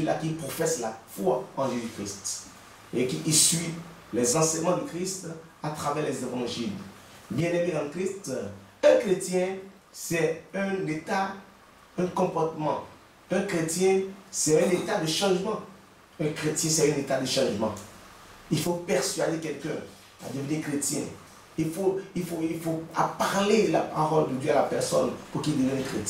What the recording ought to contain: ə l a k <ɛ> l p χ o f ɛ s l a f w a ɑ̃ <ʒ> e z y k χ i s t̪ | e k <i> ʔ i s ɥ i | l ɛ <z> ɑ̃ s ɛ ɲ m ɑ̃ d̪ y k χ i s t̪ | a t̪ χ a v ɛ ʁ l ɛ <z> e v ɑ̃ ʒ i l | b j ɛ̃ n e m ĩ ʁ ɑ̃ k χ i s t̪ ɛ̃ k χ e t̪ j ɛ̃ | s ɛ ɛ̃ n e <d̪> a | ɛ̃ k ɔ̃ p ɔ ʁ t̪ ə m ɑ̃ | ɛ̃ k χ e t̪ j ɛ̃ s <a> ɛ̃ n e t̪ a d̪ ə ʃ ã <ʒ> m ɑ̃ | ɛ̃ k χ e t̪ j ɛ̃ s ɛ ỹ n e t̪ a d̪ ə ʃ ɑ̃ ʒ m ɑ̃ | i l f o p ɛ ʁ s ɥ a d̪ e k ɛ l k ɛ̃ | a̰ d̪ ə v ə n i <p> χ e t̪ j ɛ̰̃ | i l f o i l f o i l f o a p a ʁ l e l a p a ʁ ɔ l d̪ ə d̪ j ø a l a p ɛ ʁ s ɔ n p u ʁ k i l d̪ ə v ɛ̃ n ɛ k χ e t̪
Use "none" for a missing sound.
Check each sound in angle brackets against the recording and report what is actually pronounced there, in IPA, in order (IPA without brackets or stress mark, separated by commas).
i, ʒ, i, z, z, t̪, ɛ, ʒ, k